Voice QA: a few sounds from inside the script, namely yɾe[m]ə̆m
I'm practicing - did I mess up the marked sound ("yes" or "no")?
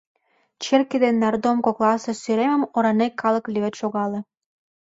no